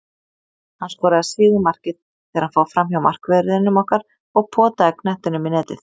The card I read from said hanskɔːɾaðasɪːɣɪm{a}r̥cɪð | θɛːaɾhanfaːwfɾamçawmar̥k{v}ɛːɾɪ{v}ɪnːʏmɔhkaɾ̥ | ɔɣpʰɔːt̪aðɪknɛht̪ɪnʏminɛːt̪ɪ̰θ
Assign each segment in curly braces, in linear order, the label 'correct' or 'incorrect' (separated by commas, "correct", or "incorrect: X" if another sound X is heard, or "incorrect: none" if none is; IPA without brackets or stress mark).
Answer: correct, correct, incorrect: ð